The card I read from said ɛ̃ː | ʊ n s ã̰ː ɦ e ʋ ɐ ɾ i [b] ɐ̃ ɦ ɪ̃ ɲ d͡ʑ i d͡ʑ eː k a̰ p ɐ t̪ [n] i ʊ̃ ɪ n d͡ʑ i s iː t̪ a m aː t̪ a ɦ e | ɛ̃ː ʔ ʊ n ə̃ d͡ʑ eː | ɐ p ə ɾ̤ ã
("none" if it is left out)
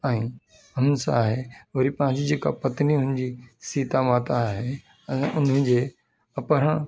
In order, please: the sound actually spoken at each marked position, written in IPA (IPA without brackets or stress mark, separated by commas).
p, n